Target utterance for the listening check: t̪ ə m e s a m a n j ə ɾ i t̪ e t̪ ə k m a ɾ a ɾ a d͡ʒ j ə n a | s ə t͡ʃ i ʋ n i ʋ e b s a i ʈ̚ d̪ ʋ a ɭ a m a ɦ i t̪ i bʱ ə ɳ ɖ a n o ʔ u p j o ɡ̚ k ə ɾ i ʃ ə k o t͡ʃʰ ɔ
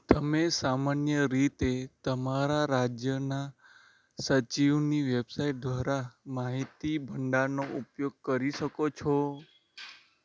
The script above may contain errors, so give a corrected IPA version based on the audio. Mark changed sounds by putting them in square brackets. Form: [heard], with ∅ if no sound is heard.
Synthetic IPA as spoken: t̪ ə m e s a m a n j ə ɾ i t̪ e t̪ ə [∅] m a ɾ a ɾ a d͡ʒ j ə n a | s ə t͡ʃ i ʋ n i ʋ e b s a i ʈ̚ d̪ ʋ a [ɾ] a m a ɦ i t̪ i bʱ ə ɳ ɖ a n o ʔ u p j o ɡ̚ k ə ɾ i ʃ ə k o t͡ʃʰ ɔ